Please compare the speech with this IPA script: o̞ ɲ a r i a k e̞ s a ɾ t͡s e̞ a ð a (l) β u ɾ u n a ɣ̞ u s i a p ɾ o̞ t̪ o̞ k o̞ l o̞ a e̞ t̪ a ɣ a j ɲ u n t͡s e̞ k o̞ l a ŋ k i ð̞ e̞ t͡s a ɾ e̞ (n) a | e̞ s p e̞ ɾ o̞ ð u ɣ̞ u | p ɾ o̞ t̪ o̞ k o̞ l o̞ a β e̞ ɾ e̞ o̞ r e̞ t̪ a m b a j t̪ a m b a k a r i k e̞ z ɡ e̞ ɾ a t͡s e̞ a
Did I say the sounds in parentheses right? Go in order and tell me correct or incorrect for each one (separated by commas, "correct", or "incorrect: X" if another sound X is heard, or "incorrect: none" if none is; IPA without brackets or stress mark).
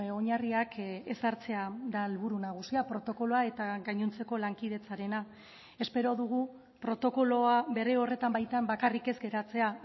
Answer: correct, correct